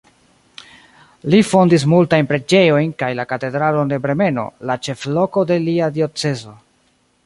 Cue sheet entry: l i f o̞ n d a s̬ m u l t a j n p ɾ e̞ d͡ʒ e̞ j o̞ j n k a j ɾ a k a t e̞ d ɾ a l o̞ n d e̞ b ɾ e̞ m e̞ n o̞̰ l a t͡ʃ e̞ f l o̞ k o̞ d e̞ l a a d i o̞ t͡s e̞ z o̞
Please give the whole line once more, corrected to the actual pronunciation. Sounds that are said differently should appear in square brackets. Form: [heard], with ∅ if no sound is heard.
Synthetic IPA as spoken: l i f o̞ n d [i] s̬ m u l t a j n p ɾ e̞ d͡ʒ e̞ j o̞ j n k a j [l] a k a t e̞ d ɾ a l o̞ n d e̞ b ɾ e̞ m e̞ n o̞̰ l a t͡ʃ e̞ f l o̞ k o̞ d e̞ l [i] a d i o̞ t͡s e̞ z o̞